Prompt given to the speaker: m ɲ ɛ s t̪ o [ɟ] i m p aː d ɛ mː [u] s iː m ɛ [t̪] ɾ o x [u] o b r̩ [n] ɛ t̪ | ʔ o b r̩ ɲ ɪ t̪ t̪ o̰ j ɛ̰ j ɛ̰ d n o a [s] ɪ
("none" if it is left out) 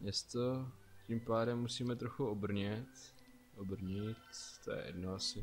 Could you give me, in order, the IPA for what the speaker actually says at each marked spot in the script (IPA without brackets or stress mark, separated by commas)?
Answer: c, u, t̪, u, ɲ, s